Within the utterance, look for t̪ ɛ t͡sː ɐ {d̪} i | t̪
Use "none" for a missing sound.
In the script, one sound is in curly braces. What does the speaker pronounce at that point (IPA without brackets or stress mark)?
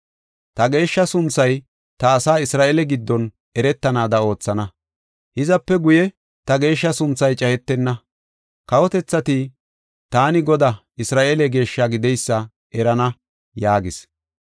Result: t̪